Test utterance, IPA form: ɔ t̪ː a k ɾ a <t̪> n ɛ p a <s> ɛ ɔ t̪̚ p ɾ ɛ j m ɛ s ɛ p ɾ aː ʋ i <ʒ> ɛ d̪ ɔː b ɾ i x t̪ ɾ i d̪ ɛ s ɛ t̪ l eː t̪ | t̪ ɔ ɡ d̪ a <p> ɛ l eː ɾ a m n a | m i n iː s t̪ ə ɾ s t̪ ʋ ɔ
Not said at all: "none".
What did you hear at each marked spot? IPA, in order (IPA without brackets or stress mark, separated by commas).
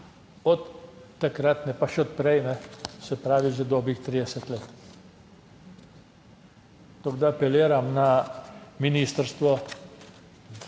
t̪, ʃ, ʒ, p